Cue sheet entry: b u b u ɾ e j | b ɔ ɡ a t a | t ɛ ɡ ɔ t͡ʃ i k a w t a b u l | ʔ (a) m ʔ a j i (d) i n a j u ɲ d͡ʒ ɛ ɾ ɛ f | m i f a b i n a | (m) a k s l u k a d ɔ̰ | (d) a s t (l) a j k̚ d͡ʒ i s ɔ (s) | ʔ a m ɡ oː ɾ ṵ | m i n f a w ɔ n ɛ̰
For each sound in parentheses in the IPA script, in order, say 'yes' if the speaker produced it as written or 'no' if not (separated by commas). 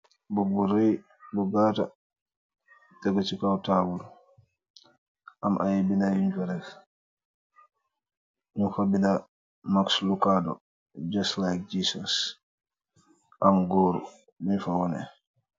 yes, no, yes, no, yes, yes